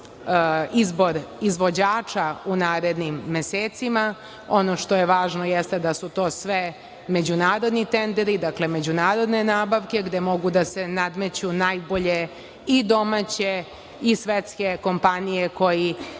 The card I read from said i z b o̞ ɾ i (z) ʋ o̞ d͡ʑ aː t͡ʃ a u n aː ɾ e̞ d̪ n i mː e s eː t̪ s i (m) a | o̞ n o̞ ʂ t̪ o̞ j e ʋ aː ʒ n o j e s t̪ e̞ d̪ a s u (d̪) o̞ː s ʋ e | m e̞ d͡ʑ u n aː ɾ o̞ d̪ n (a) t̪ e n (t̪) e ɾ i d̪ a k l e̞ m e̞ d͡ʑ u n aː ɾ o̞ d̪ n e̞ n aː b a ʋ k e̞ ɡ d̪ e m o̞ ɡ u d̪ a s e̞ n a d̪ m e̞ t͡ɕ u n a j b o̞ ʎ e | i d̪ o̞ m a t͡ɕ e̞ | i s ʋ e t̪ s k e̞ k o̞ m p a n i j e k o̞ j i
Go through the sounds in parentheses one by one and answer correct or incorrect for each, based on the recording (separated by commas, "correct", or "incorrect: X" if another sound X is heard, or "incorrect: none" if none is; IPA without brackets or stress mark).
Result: correct, correct, incorrect: t̪, incorrect: i, incorrect: d̪